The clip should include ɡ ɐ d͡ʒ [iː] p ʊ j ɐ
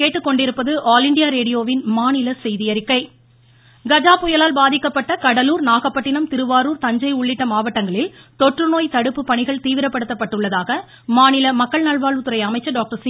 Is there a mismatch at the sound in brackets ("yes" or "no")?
yes